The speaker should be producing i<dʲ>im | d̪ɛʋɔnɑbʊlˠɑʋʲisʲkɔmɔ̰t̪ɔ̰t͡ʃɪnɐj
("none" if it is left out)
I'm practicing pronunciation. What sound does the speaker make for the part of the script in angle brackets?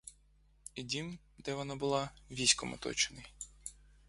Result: dʲ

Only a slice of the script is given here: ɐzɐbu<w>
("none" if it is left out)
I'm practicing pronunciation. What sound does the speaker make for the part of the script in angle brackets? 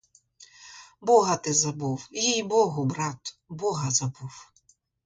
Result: w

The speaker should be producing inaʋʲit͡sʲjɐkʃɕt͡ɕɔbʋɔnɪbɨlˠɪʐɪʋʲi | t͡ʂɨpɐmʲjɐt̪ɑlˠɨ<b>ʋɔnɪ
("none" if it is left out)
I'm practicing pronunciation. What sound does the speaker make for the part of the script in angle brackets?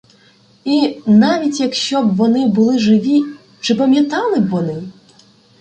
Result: b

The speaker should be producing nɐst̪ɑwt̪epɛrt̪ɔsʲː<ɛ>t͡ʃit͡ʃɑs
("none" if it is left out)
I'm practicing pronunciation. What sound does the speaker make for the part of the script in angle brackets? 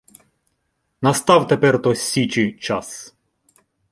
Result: i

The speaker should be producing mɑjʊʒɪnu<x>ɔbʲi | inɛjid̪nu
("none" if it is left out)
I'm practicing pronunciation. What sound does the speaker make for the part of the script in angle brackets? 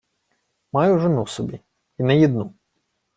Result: s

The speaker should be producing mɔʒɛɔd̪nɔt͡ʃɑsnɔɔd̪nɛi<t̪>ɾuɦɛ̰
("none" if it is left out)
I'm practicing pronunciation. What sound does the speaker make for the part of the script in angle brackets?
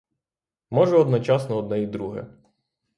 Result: d̪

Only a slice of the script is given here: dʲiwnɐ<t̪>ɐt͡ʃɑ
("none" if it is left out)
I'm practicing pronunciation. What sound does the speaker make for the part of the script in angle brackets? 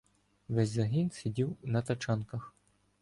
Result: t̪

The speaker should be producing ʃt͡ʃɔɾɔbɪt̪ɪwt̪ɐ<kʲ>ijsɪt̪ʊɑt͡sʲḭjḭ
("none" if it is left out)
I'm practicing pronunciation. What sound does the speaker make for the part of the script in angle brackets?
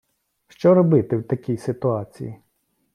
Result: kʲ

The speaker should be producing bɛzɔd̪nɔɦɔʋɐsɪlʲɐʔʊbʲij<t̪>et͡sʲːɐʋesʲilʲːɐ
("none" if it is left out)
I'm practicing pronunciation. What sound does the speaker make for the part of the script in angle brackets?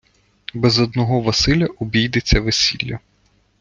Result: d̪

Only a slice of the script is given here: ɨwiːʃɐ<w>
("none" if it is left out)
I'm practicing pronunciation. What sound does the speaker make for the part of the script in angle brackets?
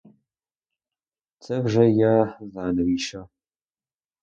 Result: none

